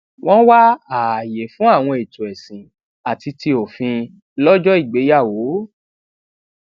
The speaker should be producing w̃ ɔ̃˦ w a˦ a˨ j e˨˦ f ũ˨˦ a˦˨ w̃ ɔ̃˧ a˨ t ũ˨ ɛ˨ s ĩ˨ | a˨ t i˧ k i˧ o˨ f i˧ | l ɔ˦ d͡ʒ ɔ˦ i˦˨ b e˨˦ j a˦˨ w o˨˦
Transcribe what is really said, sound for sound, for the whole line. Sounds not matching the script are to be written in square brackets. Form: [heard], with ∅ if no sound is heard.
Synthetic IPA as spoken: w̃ ɔ̃˦ w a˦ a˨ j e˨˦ f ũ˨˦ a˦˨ w̃ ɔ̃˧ [e˨] t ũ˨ ɛ˨ s ĩ˨ | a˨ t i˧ [t] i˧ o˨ f [ĩ˧] | l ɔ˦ d͡ʒ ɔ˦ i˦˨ [ɡ͡b] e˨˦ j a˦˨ w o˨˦